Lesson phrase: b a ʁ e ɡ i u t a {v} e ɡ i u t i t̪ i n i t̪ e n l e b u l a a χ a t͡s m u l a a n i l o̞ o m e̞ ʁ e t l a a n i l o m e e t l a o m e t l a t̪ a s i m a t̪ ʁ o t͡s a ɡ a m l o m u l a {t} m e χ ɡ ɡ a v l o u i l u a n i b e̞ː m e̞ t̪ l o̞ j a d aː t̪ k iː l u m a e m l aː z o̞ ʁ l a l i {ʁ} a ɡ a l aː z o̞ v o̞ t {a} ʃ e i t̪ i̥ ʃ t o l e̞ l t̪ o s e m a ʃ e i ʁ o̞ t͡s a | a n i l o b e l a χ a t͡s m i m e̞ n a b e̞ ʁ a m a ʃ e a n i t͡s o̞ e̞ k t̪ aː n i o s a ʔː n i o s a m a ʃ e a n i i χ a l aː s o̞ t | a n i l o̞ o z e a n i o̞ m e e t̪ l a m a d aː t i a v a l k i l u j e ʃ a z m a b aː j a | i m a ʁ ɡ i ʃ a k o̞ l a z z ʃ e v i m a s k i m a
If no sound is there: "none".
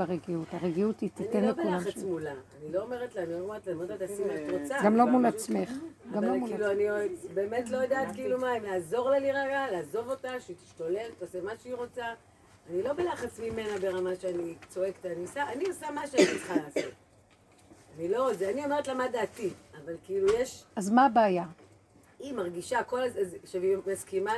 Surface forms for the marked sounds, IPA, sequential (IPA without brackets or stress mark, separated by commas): ʁ, t͡s, ʁ, a